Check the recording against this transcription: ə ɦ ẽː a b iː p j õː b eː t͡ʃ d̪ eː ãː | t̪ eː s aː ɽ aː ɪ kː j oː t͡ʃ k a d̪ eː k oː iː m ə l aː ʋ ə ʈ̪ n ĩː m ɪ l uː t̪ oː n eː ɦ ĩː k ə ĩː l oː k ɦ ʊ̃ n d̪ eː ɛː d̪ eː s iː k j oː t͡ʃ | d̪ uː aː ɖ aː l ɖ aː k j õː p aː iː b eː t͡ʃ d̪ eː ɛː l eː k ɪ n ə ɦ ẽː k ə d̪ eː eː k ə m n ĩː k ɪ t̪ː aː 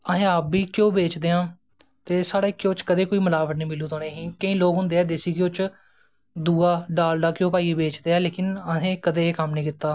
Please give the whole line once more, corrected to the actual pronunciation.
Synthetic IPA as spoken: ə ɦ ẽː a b iː k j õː b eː t͡ʃ d̪ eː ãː | t̪ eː s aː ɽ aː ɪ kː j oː t͡ʃ k ə d̪ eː k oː iː m ə l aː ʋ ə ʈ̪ n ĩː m ɪ l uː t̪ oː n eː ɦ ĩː k ə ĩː l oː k ɦ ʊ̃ n d̪ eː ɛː d̪ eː s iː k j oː t͡ʃ | d̪ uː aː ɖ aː l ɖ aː k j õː p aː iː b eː t͡ʃ d̪ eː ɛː l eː k ɪ n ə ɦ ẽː k ə d̪ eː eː k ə m n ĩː k ɪ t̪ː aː

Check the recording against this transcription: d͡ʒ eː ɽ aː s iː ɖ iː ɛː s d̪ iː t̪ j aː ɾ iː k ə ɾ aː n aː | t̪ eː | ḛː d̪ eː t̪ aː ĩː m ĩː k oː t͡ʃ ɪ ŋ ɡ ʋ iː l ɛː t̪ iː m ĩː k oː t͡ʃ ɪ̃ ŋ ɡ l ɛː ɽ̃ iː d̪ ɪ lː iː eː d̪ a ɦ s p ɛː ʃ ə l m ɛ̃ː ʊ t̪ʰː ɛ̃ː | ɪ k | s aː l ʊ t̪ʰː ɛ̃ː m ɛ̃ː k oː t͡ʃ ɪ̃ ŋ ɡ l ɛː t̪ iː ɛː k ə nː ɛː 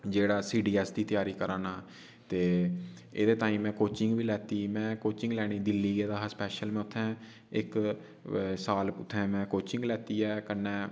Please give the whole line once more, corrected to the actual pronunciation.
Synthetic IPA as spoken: d͡ʒ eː ɽ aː s iː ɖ iː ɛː s d̪ iː t̪ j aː ɾ iː k ə ɾ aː n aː | t̪ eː | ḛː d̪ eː t̪ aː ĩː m ɛ̃ː k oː t͡ʃ ɪ ŋ ɡ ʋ iː l ɛː t̪ iː m ɛ̃ː k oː t͡ʃ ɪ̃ ŋ ɡ l ɛː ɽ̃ iː d̪ ɪ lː iː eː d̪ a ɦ s p ɛː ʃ ə l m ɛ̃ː ʊ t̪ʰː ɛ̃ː | ɪ k | s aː l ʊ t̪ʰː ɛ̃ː m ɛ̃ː k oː t͡ʃ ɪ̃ ŋ ɡ l ɛː t̪ iː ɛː k ə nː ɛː

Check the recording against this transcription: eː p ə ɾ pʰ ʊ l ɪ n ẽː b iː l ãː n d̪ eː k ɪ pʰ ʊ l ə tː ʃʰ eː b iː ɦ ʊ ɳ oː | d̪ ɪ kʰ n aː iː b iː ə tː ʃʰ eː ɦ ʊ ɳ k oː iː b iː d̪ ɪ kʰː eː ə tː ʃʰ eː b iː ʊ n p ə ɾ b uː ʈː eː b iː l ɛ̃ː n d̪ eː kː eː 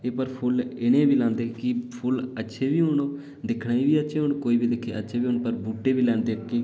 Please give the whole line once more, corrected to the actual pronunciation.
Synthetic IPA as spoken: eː p ə ɾ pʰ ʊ l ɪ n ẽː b iː l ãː n d̪ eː k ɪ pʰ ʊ l ə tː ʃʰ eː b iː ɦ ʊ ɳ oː | d̪ ɪ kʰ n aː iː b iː ə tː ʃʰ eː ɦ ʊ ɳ k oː iː b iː d̪ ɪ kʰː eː ə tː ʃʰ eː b iː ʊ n p ə ɾ b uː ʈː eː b iː l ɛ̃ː n d̪ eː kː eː

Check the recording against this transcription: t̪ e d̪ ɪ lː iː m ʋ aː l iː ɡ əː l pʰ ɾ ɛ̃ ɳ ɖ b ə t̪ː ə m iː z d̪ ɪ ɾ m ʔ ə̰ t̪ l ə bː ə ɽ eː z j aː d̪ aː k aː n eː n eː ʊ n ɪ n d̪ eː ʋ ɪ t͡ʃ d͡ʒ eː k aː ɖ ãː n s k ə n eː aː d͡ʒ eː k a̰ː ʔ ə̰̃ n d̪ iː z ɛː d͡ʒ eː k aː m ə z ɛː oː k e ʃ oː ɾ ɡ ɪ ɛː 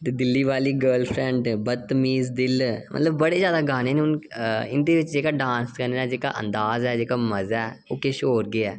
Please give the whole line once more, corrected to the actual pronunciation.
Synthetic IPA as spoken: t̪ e d̪ ɪ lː iː ʋ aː l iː ɡ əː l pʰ ɾ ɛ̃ ɳ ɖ b ə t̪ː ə m iː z d̪ ɪ l m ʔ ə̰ t̪ l ə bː ə ɽ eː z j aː d̪ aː ɡ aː n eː n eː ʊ n ɪ n d̪ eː ʋ ɪ t͡ʃ d͡ʒ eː k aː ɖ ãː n s k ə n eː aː d͡ʒ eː k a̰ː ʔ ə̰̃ n d̪ aː z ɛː d͡ʒ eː k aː m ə z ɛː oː k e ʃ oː ɾ ɡ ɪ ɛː

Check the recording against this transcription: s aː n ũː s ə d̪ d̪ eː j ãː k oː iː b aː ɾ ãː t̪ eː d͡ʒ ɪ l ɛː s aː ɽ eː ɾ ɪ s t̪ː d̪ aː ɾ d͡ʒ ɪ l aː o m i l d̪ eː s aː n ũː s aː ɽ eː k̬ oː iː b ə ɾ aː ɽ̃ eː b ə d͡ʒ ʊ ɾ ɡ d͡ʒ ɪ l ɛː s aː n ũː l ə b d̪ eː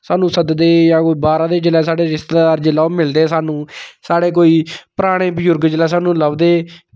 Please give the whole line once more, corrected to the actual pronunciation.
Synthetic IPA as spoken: s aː n ũː s ə d̪ d̪ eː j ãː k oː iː b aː ɾ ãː d̪ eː d͡ʒ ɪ l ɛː s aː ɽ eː ɾ ɪ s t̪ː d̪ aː ɾ d͡ʒ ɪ l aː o m ɪ l d̪ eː s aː n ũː s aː ɽ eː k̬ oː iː p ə ɾ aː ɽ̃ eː b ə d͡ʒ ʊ ɾ ɡ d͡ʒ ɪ l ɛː s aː n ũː l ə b d̪ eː

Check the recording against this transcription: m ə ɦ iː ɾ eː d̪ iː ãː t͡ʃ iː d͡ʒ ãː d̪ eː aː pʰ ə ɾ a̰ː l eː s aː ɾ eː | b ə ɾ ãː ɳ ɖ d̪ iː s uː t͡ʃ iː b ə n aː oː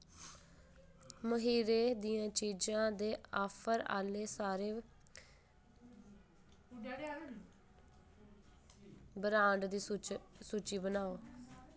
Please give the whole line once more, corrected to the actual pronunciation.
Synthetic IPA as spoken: m ə ɦ iː ɾ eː d̪ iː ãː t͡ʃ iː d͡ʒ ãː d̪ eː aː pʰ ə ɾ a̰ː l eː s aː ɾ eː | b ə ɾ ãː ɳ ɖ d̪ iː s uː t͡ʃ iː b ə n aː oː

